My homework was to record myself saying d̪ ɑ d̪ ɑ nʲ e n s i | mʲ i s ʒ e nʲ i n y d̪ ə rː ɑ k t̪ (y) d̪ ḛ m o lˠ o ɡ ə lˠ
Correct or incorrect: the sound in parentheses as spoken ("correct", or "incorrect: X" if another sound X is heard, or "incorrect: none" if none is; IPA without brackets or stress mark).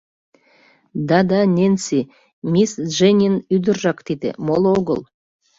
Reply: incorrect: i